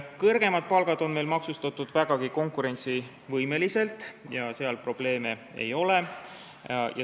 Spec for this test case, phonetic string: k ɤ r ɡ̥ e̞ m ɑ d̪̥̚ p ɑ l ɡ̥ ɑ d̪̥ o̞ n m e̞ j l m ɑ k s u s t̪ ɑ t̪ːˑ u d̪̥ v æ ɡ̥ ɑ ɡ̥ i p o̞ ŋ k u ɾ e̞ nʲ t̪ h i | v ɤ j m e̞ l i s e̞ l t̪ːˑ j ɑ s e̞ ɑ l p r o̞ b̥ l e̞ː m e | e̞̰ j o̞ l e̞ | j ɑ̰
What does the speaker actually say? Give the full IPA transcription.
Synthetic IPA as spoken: k ɤ r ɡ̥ e̞ m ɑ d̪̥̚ p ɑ l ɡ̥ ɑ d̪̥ o̞ n m e̞ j l m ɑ k s u s t̪ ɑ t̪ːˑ u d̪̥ v æ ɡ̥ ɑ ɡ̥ i k o̞ ŋ k u ɾ e̞ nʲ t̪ s i | v ɤ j m e̞ l i s e̞ l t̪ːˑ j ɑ s e̞ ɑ l p r o̞ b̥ l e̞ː m e | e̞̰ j o̞ l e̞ | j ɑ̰